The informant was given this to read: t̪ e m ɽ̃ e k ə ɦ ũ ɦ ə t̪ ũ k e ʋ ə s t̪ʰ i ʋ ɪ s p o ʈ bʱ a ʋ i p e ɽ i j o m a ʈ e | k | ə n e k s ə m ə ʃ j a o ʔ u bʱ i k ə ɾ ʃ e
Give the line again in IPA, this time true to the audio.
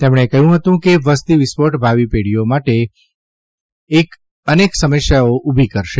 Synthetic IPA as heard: t̪ e m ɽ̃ e k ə ɦ ũ ɦ ə t̪ ũ k e ʋ ə s t̪ i ʋ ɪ s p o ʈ bʱ a ʋ i p e ɽ i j o m a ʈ e | k | ə n e k s ə m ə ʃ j a o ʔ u bʱ i k ə ɾ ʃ e